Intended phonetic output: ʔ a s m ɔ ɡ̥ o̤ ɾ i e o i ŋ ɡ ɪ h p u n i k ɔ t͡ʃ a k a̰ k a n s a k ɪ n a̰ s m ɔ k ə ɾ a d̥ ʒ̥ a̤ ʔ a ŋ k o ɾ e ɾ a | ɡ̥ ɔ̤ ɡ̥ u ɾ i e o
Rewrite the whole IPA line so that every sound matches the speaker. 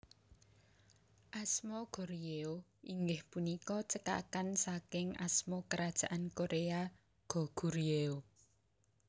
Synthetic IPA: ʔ a s m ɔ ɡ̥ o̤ ɾ i e o i ŋ ɡ ɪ h p u n i k ɔ t͡ʃ ə k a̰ k a n s a k ɪ ŋ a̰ s m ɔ k ə ɾ a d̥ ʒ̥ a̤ ʔ a n k o ɾ e a | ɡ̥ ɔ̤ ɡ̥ u ɾ i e o